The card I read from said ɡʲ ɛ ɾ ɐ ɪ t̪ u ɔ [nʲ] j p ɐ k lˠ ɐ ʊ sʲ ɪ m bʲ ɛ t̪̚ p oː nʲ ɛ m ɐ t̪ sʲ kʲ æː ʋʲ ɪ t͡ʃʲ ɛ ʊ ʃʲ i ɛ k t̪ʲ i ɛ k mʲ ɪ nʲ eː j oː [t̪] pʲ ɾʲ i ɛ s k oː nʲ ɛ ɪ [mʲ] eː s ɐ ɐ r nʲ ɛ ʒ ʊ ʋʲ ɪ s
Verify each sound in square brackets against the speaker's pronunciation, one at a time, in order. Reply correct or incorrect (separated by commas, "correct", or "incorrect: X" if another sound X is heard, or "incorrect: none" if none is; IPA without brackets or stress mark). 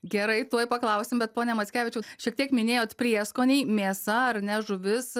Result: incorrect: none, correct, correct